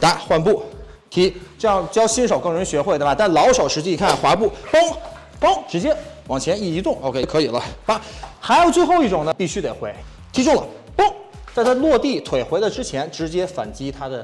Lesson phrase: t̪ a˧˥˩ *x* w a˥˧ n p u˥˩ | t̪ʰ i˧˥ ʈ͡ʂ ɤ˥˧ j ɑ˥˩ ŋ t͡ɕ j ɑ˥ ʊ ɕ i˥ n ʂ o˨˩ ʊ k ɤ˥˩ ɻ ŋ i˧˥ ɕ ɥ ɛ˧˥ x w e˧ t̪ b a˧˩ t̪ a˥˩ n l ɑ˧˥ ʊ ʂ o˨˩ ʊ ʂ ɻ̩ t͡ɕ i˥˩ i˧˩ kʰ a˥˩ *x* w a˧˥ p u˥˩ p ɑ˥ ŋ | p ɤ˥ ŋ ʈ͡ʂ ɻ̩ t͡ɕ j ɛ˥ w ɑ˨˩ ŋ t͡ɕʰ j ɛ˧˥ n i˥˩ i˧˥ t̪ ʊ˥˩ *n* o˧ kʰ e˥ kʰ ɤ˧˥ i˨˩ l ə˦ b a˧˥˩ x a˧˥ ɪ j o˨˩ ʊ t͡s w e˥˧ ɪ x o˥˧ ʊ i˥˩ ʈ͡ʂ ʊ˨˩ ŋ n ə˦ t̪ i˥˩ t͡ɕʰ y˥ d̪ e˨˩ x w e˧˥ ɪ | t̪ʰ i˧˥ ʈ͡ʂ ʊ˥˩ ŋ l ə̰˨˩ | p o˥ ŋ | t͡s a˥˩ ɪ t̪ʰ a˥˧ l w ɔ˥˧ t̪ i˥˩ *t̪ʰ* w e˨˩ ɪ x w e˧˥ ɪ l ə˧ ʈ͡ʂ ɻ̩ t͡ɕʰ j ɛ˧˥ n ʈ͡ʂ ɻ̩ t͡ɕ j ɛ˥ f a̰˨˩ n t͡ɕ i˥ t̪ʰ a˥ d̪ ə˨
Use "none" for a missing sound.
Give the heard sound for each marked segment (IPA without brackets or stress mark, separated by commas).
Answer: x, x, ŋ, t̪ʰ